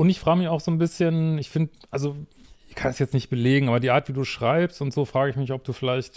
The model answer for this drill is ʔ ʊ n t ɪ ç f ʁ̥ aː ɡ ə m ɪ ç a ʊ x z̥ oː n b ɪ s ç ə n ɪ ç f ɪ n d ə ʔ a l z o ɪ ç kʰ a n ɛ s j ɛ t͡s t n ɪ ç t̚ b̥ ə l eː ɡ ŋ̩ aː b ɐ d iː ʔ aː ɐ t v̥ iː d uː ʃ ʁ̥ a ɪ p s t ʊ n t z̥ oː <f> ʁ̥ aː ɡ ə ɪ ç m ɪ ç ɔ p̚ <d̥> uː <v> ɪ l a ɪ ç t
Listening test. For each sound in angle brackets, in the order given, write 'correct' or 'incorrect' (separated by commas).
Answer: correct, correct, incorrect